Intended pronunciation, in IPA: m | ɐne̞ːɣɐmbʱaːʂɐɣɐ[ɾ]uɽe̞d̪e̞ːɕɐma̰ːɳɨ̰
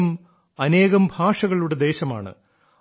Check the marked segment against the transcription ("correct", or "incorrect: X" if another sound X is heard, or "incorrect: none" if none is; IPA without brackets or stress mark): incorrect: ɭ